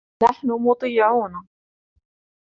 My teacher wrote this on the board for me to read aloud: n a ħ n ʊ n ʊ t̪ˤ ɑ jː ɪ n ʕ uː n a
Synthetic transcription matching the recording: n a ħ n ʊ m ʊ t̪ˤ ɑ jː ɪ ʕ uː n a